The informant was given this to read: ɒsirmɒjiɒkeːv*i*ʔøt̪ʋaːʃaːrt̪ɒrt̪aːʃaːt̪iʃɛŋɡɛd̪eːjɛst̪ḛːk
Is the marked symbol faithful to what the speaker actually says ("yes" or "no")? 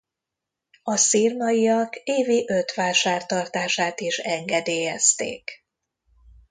yes